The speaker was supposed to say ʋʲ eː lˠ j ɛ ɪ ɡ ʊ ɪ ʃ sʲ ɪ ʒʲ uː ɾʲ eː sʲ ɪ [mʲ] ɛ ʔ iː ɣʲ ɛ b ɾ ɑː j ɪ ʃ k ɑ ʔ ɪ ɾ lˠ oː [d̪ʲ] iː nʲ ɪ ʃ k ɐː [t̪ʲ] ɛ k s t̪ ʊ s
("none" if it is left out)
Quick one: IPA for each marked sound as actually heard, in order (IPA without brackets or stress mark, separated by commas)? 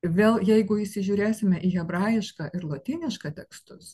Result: mʲ, t̪ʲ, t̪ʲ